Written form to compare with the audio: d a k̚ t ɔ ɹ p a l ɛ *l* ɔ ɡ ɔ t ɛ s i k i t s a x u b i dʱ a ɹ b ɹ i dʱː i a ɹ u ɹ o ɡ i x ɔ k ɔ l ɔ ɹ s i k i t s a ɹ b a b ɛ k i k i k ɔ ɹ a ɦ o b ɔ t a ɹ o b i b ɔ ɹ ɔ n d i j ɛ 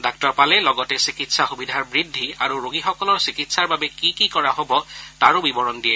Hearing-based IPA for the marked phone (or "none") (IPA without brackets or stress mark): l